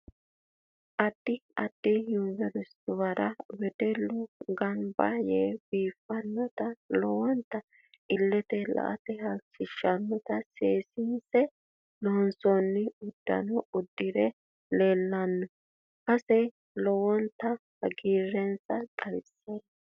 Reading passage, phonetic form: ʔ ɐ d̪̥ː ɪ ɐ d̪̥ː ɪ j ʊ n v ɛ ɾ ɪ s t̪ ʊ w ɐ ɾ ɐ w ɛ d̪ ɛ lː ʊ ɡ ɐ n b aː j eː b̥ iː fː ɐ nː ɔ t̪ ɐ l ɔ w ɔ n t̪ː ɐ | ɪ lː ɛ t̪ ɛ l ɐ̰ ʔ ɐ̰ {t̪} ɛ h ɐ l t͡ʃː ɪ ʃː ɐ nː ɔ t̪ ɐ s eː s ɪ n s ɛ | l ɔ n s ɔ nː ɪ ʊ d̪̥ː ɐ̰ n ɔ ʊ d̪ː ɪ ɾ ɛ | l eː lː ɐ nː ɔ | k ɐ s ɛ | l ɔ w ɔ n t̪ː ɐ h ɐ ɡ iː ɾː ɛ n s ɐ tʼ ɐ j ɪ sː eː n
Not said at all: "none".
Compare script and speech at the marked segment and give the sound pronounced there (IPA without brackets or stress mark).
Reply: t̪